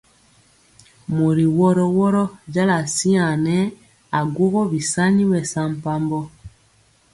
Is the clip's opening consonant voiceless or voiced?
voiced